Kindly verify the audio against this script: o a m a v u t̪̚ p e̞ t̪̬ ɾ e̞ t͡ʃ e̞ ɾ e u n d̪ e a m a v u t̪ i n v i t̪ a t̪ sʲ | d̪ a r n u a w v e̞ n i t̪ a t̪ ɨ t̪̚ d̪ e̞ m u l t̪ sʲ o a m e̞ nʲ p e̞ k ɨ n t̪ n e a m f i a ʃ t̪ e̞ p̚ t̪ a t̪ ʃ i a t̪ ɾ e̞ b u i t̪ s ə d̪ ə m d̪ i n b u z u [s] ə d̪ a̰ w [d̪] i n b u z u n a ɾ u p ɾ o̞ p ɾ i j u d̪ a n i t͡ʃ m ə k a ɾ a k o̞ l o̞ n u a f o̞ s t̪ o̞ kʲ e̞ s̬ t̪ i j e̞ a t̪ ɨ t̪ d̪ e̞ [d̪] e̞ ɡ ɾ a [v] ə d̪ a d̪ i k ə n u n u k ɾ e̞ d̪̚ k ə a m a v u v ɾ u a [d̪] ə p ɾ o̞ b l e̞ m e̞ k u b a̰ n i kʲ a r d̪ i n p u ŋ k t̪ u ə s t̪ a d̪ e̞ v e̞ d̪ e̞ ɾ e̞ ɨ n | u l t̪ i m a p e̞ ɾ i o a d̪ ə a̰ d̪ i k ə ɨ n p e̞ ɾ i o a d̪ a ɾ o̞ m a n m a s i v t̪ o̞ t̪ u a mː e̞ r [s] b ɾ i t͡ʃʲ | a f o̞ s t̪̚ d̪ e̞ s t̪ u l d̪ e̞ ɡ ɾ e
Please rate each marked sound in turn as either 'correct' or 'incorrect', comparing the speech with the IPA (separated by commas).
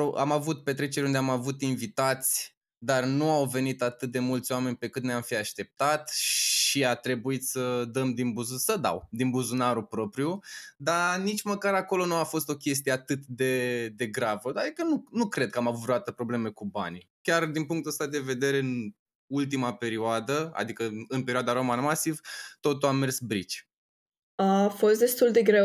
correct, correct, correct, correct, incorrect, correct